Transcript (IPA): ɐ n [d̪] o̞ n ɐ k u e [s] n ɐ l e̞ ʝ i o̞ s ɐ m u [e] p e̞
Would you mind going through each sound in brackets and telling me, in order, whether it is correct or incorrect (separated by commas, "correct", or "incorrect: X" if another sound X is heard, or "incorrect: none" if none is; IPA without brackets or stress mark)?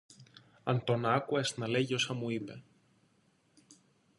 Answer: incorrect: t̪, correct, incorrect: i